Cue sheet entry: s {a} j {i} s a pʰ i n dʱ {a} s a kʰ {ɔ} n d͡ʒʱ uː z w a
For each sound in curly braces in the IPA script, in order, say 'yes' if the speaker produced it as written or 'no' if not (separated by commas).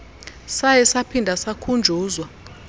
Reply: yes, no, yes, no